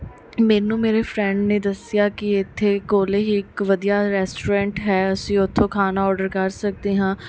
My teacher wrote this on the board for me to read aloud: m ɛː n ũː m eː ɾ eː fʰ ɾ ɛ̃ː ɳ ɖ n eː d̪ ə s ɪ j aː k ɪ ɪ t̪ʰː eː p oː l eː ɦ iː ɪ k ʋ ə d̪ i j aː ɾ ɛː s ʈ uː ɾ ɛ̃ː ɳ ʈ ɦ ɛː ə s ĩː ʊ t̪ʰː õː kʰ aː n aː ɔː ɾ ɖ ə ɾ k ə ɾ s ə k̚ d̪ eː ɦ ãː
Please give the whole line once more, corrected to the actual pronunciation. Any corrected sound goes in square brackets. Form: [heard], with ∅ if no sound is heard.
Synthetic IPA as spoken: m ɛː n ũː m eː ɾ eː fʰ ɾ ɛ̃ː ɳ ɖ n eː d̪ ə s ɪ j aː k ɪ ɪ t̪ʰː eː [k] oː l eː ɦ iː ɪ k ʋ ə d̪ i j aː ɾ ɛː s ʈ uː ɾ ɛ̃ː ɳ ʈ ɦ ɛː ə s ĩː ʊ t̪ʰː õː kʰ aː n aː ɔː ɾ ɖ ə ɾ k ə ɾ s ə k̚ d̪ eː ɦ ãː